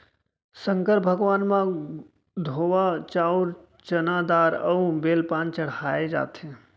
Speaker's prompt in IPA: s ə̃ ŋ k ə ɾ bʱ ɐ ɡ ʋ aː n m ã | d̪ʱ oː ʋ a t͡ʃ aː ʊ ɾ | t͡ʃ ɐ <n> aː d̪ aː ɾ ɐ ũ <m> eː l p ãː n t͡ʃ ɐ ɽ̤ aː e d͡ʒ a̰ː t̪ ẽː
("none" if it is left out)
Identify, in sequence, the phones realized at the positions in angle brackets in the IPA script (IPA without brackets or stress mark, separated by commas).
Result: n, b